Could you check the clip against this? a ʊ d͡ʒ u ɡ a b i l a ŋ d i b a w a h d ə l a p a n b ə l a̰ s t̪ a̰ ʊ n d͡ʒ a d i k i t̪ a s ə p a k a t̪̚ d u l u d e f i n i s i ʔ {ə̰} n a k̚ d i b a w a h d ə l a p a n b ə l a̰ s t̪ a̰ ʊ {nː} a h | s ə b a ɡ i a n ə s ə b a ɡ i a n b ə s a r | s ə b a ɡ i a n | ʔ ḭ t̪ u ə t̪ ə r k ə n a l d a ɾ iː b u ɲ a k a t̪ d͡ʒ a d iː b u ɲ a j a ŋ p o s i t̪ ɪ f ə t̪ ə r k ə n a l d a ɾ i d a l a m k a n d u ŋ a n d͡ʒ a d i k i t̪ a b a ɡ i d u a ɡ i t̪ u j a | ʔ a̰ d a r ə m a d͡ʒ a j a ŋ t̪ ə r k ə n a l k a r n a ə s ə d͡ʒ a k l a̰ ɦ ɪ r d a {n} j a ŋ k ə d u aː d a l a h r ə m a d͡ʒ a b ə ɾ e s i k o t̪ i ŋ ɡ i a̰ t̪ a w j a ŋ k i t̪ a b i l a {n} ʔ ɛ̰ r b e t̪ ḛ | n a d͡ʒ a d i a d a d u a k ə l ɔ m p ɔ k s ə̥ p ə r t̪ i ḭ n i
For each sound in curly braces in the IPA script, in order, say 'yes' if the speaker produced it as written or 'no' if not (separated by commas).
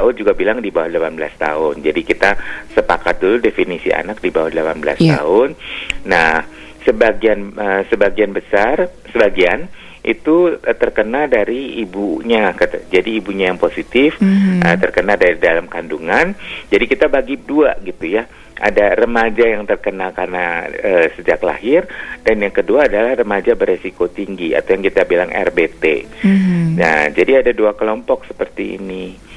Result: no, yes, yes, no